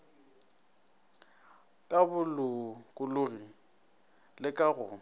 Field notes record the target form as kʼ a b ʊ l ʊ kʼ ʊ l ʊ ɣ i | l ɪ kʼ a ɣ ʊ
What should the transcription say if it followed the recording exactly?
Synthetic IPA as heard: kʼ a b ʊ l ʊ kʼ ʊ l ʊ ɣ i | l ɪ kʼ a ɣ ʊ

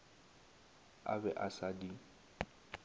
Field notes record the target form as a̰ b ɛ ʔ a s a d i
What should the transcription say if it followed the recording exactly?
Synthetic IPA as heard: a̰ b ɛ ʔ a s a d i

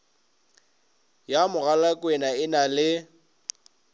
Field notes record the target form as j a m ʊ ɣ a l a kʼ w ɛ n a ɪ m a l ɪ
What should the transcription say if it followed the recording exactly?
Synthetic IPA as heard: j a m ʊ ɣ a l a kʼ w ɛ n a ɪ n a l ɪ

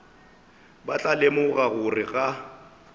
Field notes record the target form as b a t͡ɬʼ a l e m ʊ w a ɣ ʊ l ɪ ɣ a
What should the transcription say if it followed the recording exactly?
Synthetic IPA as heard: b a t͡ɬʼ a l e m ʊ ɣ a ɣ ʊ r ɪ ɣ a

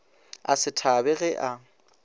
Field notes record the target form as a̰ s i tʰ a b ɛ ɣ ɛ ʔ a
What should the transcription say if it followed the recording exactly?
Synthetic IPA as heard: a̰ s ɪ tʰ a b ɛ ɣ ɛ ʔ a

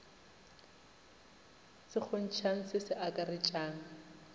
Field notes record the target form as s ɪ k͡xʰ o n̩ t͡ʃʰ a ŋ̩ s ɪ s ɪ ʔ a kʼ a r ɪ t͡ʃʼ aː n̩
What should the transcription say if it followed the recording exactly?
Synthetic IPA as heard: s ɪ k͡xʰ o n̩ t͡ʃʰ a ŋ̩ s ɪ s ɪ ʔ a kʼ a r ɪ t͡ʃʼ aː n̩

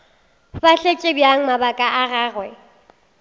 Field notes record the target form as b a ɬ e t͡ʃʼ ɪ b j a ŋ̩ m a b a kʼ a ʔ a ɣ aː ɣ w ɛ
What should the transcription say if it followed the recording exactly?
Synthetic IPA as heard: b a ɬ e t͡ʃʼ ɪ b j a ŋ̩ m a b a kʼ a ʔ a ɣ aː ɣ w ɛ

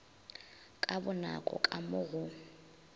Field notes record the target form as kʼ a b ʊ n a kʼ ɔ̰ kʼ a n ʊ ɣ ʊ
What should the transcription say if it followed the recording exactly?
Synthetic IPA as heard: kʼ a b ʊ n a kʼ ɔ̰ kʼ a m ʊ ɣ ʊ

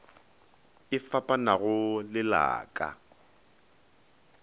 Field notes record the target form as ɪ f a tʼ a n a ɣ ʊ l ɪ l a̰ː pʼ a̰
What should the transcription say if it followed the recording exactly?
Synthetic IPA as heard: ɪ f a pʼ a n a ɣ ʊ l ɪ l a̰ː kʼ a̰

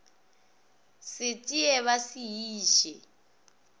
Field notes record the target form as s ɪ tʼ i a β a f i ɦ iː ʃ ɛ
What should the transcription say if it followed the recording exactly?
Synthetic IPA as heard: s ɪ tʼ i ɛ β a s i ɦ iː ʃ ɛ

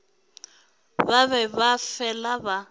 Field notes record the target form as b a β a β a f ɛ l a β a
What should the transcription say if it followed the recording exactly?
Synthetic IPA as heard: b a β ɛ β a f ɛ l a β a

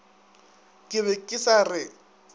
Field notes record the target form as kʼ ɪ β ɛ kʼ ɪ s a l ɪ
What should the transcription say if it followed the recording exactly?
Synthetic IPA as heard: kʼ ɪ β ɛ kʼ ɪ s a r ɪ

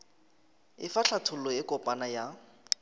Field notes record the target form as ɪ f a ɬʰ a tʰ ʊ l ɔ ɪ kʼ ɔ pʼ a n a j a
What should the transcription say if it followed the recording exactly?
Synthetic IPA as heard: ɪ f a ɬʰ a tʰ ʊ l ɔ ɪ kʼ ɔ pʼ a n a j a

